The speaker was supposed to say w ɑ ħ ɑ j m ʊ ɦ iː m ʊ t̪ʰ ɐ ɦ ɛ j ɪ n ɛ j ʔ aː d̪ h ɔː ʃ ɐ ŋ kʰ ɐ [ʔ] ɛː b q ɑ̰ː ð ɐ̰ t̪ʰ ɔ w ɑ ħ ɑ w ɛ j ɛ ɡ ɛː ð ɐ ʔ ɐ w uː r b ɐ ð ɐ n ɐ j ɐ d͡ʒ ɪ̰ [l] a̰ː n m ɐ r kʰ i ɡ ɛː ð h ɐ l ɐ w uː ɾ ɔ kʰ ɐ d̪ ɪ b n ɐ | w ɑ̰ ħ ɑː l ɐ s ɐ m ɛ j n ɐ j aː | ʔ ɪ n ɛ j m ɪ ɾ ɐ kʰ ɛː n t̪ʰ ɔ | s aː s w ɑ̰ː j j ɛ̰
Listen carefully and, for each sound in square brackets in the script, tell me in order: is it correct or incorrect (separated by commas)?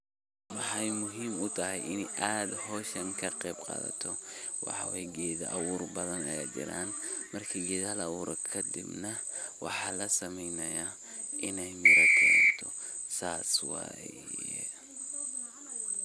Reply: incorrect, incorrect